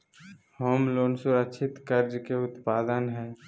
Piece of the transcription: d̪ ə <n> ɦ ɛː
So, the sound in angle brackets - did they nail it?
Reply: yes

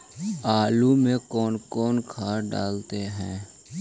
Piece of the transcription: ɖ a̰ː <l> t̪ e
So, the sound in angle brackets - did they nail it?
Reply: yes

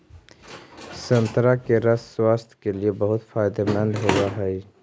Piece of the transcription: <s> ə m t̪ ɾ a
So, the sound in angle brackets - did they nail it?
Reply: yes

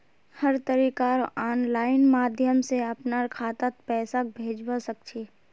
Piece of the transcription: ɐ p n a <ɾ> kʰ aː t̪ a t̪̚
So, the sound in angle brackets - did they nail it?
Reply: yes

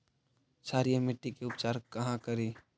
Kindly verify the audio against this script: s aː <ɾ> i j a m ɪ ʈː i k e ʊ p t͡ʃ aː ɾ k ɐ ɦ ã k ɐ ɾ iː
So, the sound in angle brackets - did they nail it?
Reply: yes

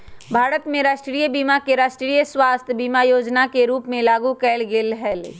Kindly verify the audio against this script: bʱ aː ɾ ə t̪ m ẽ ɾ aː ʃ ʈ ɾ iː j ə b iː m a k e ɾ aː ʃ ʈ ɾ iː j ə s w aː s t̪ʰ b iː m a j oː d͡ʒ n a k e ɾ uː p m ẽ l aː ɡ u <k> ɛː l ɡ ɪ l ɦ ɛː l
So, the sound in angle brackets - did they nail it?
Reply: yes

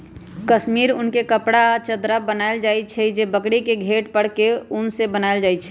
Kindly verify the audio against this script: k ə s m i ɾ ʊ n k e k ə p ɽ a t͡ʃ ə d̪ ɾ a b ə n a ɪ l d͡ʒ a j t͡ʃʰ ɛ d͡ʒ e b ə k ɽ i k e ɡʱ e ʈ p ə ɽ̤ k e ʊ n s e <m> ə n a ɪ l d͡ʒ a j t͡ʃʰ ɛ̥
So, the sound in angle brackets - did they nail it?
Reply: no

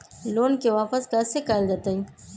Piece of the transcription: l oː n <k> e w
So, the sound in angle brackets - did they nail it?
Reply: yes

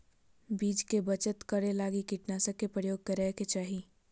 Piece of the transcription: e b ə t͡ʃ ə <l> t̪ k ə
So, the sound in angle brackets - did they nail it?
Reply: no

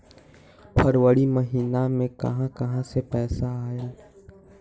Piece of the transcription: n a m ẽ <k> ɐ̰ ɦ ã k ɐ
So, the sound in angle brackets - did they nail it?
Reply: yes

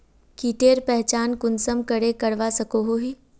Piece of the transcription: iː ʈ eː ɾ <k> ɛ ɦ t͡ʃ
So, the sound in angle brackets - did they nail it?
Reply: no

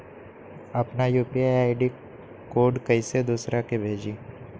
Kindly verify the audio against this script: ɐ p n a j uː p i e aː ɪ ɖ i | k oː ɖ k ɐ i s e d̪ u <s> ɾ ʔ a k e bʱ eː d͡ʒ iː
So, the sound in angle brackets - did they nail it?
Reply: yes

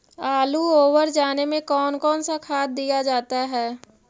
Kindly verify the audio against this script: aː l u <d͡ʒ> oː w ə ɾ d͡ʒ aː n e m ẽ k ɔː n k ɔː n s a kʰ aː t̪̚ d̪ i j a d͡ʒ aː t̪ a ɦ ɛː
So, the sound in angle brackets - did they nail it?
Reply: no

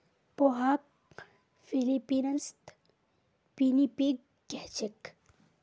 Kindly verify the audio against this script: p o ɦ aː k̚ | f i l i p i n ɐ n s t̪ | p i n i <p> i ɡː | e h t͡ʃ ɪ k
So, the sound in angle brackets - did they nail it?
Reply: yes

